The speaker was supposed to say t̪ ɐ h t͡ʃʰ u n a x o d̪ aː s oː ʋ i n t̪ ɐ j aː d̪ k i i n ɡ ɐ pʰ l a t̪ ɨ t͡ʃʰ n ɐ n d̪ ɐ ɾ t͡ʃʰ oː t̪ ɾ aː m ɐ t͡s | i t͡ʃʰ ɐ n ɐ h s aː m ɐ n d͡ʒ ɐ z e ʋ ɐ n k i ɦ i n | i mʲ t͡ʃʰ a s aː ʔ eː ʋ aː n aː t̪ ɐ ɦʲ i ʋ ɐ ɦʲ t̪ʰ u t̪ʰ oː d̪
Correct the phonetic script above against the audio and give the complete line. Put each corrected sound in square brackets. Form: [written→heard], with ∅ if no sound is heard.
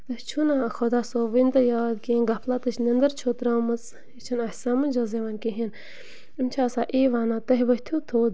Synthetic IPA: t̪ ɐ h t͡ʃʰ u n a x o d̪ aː s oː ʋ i n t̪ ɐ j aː d̪ k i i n ɡ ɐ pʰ l a t̪ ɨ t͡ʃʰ n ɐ n d̪ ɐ ɾ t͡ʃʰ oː t̪ ɾ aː m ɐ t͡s | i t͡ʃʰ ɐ n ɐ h s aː m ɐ n d͡ʒ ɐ z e ʋ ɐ n k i ɦ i n | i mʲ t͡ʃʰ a s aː ʔ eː ʋ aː n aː t̪ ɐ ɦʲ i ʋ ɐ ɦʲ t̪ʰ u t̪ʰ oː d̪

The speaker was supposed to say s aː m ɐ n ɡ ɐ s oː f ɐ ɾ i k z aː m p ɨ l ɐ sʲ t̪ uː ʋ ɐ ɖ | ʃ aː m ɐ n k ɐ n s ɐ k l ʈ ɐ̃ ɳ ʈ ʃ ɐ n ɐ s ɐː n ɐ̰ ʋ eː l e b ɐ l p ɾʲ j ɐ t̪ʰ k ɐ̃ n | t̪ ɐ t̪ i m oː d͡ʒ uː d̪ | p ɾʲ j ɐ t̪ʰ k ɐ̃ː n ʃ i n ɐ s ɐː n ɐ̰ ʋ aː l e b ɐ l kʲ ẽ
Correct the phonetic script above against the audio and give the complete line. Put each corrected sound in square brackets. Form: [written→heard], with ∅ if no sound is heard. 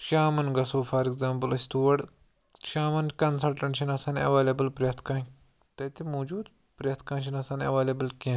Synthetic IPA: [s→ʃ] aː m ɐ n ɡ ɐ s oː f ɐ ɾ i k z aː m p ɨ l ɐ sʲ t̪ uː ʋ ɐ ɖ | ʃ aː m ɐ n k ɐ n s ɐ [k→∅] l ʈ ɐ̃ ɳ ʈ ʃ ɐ n ɐ s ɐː n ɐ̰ ʋ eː l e b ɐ l p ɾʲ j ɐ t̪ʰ k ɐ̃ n | t̪ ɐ t̪ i m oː d͡ʒ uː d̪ | p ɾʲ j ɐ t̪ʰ k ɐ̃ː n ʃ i n ɐ s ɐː n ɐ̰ ʋ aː l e b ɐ l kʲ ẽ

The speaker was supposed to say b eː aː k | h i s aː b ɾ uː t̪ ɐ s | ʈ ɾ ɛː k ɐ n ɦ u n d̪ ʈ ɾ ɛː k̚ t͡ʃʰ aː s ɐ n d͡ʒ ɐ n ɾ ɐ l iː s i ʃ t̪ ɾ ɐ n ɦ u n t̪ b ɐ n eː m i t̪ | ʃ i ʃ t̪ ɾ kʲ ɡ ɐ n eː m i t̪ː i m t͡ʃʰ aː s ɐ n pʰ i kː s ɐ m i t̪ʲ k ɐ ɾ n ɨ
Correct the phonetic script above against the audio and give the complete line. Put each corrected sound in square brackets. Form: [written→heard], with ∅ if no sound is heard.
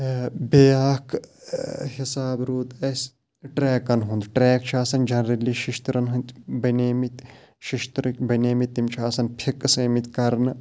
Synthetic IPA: b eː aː k | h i s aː b ɾ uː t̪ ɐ s | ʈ ɾ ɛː k ɐ n ɦ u n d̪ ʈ ɾ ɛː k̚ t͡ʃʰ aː s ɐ n d͡ʒ ɐ n ɾ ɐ l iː [s→ʃ] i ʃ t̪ ɾ ɐ n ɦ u n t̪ b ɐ n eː m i t̪ | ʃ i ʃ t̪ ɾ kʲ [ɡ→b] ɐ n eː m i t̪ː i m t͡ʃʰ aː s ɐ n pʰ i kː s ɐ m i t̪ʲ k ɐ ɾ n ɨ

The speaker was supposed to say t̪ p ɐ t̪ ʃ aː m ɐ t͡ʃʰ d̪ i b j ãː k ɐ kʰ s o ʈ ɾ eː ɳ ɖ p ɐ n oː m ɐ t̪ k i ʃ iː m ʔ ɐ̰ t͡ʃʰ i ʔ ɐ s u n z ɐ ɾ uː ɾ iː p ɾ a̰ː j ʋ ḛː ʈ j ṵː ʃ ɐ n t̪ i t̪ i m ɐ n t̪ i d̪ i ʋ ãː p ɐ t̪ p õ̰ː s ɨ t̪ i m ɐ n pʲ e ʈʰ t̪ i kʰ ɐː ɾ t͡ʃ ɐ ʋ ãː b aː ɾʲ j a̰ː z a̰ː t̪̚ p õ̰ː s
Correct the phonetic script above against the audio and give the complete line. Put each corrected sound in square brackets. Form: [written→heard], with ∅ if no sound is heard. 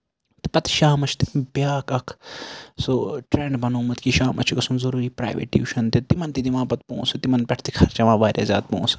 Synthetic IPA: t̪ p ɐ t̪ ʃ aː m ɐ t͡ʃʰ [d̪→t̪] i b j [ãː→aː] k ɐ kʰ s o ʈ ɾ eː ɳ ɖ [p→b] ɐ n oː m ɐ t̪ k i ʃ [iː→aː] m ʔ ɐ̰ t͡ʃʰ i [ʔ→k] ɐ s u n z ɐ ɾ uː ɾ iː p ɾ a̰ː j ʋ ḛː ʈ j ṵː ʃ ɐ n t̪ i t̪ i m ɐ n t̪ i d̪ i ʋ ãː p ɐ t̪ p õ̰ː s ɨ t̪ i m ɐ n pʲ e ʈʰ t̪ i kʰ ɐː ɾ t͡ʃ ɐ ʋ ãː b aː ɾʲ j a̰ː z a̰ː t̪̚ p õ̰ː s

